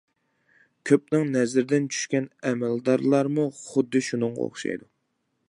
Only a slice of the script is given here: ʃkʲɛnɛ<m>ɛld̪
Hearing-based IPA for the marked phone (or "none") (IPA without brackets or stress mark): m